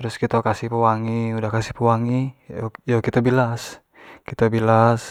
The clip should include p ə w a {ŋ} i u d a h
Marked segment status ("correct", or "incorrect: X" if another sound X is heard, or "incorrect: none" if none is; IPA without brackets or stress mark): correct